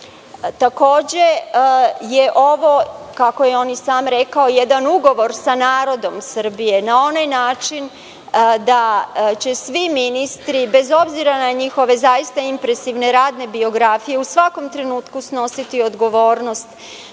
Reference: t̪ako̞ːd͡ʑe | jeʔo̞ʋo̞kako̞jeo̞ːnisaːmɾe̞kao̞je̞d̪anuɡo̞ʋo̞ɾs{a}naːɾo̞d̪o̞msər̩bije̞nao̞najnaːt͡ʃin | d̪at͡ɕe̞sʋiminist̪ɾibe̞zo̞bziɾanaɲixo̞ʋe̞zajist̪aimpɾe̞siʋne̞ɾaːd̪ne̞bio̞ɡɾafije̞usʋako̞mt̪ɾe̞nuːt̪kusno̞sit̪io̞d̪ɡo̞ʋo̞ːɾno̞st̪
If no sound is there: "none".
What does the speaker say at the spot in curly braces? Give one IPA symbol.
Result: a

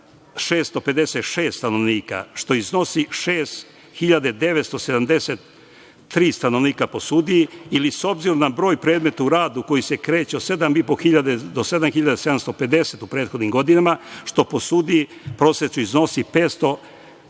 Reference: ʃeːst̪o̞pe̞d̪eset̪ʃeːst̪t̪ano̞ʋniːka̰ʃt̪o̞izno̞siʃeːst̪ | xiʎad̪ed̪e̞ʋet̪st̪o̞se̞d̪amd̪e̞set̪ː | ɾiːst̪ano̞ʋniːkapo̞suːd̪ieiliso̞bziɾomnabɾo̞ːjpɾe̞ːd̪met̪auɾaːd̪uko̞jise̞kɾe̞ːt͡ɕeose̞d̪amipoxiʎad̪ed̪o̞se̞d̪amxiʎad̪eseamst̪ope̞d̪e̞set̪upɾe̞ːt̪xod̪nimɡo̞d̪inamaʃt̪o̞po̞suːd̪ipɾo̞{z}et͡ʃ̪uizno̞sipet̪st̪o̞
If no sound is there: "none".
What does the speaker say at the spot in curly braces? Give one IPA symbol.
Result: s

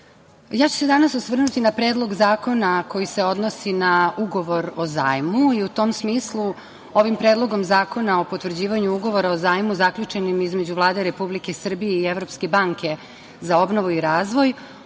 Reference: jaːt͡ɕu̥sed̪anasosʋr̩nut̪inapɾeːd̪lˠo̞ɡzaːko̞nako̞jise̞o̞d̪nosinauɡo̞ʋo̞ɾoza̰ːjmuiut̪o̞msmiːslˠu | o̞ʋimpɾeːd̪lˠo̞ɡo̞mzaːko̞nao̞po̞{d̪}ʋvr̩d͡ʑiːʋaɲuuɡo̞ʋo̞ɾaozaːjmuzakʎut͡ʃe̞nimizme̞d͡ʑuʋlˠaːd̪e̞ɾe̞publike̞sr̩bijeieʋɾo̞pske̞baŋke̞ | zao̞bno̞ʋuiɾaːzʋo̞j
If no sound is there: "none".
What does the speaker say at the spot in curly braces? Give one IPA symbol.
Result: t̪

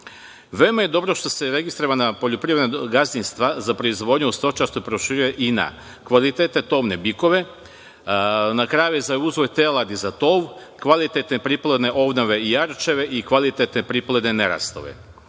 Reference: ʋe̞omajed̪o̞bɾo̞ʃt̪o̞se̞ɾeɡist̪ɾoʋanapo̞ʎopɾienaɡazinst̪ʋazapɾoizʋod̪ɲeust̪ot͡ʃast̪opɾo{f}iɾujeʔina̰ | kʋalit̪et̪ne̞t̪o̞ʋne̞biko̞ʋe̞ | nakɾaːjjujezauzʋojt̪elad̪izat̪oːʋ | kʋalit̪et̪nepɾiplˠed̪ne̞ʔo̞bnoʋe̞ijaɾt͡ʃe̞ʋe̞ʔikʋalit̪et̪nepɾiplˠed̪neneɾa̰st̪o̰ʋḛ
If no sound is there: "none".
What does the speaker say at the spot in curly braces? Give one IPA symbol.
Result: ʃ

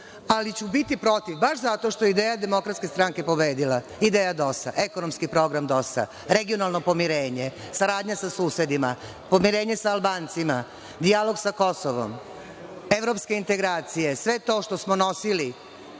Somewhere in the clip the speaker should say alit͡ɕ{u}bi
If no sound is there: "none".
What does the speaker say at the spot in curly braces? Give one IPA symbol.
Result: u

